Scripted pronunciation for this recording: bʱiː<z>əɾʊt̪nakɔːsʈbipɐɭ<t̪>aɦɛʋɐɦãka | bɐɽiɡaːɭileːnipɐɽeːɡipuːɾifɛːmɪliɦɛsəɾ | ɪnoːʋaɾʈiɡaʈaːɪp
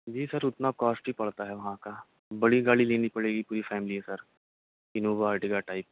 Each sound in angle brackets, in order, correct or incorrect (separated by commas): incorrect, correct